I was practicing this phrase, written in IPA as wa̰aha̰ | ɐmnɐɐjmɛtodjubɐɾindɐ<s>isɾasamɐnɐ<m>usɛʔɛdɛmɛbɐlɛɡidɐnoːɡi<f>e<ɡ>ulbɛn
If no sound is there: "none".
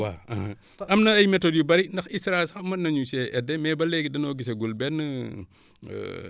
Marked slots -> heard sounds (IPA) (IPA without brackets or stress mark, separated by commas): x, ɲ, s, ɡ